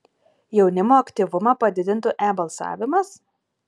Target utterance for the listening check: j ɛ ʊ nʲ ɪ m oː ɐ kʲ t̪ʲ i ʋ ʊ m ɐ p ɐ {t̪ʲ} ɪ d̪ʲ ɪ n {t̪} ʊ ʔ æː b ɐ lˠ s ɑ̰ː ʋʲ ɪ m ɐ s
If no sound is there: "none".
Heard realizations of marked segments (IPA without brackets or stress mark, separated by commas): d̪ʲ, t̪